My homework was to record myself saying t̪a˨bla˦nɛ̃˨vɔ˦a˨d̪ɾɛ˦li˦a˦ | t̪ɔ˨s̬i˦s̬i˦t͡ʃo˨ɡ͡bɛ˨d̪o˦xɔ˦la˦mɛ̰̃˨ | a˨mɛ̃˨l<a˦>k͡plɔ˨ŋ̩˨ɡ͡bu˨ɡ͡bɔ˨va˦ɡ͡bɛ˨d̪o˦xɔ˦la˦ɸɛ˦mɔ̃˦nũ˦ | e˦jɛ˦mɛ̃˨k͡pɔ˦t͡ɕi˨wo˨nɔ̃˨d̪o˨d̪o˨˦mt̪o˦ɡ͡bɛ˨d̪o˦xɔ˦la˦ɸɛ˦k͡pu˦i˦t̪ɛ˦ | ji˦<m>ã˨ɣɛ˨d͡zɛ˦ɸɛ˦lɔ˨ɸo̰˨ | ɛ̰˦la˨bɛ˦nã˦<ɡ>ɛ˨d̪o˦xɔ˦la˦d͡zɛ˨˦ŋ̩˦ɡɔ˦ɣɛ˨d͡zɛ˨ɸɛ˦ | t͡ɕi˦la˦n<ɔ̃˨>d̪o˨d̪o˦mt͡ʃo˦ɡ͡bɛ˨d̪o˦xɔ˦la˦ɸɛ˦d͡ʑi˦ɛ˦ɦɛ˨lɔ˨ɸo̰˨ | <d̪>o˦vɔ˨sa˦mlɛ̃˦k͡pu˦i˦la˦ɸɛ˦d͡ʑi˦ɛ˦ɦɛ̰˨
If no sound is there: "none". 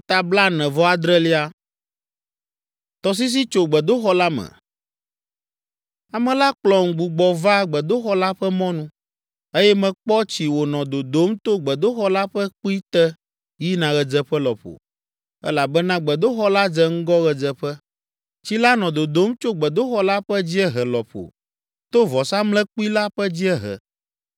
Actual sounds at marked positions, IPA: a˦, n, ɡ͡b, ɔ̃˨, t̪

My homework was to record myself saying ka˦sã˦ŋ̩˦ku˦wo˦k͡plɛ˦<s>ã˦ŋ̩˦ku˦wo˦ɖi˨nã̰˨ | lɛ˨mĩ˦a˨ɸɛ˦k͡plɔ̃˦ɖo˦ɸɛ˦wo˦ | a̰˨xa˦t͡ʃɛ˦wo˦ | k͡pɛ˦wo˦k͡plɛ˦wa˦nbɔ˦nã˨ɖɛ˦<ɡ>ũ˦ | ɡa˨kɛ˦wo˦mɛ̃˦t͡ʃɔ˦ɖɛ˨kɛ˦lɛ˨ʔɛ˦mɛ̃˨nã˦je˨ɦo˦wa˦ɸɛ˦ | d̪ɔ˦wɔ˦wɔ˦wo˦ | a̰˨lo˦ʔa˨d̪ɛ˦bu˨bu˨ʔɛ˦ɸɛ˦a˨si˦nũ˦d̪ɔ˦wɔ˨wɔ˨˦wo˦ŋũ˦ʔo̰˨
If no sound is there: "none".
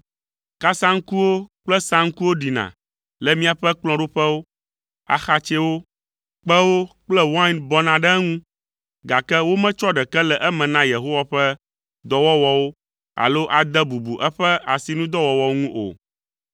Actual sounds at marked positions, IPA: s, ŋ

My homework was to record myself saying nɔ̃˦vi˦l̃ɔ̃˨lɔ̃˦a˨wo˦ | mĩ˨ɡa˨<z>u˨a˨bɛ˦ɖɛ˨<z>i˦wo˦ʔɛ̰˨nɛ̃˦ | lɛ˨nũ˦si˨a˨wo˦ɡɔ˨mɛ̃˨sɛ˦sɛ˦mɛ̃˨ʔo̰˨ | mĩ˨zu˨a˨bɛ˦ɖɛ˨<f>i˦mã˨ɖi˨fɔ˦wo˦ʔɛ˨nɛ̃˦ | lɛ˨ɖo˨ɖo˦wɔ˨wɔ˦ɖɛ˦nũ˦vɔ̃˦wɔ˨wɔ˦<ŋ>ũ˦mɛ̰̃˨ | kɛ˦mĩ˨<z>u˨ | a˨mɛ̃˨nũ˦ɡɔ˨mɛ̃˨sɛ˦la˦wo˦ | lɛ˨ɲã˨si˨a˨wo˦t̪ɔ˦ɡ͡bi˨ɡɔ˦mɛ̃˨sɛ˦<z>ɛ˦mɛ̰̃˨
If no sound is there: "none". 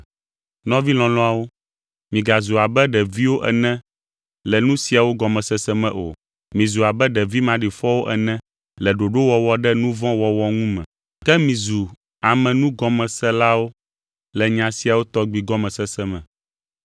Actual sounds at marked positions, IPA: z, v, v, ŋ, z, s

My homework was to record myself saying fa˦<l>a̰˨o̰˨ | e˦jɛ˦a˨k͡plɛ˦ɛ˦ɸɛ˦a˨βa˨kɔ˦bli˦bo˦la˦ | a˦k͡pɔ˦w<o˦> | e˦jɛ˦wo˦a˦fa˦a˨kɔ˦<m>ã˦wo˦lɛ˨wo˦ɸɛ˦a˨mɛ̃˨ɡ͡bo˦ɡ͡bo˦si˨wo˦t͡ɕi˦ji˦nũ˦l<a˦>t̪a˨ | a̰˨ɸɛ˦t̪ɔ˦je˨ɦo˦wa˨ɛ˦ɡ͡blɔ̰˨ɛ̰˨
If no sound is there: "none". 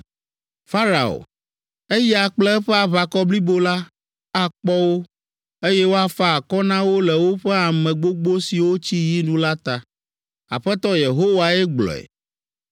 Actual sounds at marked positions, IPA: ɾ, o˦, n, a˦

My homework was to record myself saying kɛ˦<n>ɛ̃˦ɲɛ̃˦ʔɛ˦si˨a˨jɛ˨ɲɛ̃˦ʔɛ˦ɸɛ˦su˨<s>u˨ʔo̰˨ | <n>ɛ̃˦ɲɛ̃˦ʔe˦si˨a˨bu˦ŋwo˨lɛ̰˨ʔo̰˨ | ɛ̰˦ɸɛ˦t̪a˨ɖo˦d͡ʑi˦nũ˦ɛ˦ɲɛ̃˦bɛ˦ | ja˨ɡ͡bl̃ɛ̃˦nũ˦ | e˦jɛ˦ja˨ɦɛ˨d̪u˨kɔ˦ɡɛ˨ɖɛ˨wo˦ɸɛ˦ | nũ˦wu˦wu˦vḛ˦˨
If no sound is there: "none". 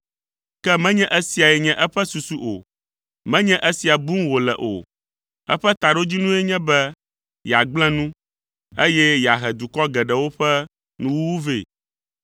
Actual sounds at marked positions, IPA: m, s, m

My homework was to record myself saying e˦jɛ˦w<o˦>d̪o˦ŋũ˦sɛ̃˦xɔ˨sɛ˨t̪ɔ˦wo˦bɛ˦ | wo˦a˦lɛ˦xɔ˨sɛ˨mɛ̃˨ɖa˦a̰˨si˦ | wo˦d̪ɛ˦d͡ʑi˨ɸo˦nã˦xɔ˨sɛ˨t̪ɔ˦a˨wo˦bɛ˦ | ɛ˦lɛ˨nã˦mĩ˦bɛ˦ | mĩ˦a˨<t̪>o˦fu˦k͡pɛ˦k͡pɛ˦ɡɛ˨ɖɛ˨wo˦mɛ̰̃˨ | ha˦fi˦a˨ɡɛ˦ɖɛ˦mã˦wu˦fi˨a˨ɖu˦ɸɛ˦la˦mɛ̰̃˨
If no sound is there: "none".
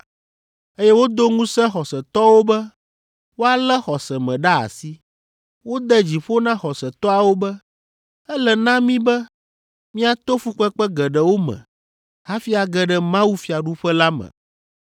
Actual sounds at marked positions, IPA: o˦, t̪

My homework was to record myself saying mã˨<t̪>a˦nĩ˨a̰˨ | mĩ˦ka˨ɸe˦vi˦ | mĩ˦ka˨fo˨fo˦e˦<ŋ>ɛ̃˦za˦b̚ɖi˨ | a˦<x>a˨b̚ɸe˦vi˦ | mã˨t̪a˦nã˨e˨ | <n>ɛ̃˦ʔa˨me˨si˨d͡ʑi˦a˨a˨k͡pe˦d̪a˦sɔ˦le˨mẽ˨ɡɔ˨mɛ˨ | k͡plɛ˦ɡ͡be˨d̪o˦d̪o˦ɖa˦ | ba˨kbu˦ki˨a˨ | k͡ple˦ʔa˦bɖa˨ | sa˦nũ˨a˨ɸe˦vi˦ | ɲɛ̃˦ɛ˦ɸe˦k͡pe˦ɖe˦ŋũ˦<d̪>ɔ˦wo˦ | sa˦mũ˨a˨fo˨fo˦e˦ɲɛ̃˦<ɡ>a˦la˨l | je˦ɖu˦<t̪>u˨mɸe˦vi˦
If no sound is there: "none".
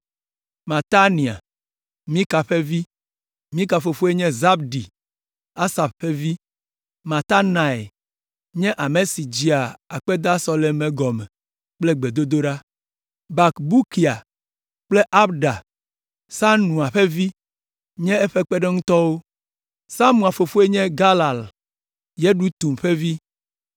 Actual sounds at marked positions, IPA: t̪, ɲ, s, ɲ, t̪, ɡ, t̪

